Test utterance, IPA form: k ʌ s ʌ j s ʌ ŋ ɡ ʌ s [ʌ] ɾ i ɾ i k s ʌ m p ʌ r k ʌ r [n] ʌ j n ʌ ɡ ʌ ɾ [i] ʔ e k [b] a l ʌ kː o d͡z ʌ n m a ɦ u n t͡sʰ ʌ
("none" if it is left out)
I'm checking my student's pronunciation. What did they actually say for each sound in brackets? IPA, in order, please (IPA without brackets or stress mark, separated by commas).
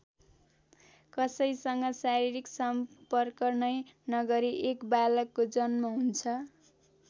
a, n, i, b